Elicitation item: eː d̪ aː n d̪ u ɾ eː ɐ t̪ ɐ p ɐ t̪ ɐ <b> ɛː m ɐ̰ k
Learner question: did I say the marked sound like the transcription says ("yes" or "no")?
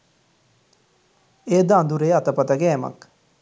no